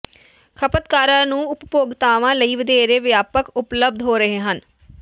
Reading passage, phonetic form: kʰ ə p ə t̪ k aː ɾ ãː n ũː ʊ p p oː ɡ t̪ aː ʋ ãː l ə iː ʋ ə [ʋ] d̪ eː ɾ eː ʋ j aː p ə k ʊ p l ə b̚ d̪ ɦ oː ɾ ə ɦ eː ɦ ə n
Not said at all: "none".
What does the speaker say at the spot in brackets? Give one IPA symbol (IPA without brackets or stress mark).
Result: none